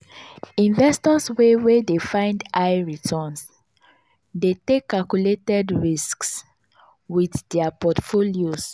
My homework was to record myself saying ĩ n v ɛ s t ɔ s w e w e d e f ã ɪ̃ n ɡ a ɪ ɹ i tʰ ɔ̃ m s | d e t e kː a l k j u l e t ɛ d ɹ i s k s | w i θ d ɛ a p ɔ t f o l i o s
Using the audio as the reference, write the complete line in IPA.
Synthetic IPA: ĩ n v ɛ s t ɔ s w e w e d e f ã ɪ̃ n d a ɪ ɹ i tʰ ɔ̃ n s | d e t e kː a l k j u l e t ɛ d ɹ i s k s | w i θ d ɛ a p ɔ t f o l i o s